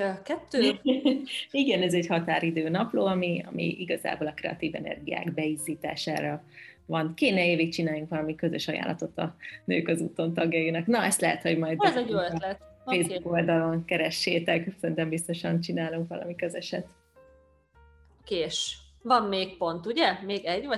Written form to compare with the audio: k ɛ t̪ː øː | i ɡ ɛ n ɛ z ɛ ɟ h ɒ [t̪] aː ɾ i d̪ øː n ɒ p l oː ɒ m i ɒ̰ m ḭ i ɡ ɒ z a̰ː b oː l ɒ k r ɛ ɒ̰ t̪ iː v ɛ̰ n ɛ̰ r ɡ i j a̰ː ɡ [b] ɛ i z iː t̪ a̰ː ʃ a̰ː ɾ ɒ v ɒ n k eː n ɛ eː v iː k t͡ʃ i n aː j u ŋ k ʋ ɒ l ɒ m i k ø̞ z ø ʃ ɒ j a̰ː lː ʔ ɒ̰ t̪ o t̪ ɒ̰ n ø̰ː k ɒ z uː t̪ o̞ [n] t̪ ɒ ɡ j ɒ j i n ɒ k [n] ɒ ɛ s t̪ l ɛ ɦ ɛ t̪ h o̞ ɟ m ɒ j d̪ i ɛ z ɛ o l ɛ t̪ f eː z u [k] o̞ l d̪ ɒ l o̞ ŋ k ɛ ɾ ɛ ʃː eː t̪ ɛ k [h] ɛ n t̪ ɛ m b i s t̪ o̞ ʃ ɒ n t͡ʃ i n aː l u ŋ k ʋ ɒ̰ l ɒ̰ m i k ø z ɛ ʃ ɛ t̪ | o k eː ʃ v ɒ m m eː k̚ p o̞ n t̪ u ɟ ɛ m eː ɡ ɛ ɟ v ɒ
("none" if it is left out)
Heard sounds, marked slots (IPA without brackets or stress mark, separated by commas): t̪, b, n, n, k, s